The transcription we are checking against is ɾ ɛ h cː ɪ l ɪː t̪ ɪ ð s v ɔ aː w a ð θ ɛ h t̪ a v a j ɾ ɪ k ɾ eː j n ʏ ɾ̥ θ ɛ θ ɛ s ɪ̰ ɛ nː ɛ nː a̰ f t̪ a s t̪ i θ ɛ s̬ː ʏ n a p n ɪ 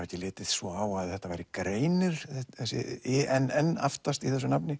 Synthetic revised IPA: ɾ ɛ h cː ɪ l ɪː t̪ ɪ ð s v ɔ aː w a ð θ ɛ h t̪ a v a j ɾ ɪ k ɾ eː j n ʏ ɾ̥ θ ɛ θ ɛ s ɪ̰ ɛ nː ɛ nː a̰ f t̪ a s t̪ i θ ɛ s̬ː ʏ n a p n ɪ